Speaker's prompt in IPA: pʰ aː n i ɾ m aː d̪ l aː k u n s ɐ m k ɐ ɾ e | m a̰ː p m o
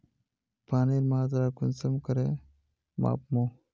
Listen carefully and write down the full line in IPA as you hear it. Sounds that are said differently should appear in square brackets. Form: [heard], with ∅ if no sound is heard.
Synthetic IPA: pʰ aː n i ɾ m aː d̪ [ɾ] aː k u n s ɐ m k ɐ ɾ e | m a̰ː p m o